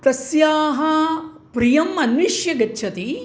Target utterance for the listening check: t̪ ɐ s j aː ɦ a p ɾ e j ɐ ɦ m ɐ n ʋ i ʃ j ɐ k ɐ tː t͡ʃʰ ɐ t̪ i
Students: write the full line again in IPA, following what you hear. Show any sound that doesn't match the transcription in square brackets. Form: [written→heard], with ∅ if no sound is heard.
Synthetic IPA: t̪ ɐ s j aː ɦ [a→ɐ] p ɾ [e→i] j ɐ [ɦ→∅] m ɐ n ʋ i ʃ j ɐ [k→ɡ] ɐ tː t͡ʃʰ ɐ t̪ i